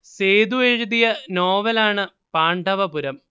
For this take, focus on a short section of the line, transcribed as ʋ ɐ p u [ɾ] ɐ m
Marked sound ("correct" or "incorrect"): correct